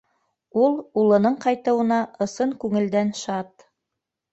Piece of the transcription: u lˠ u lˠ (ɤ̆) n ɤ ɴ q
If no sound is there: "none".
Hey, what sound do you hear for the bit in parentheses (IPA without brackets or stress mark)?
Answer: ɤ̆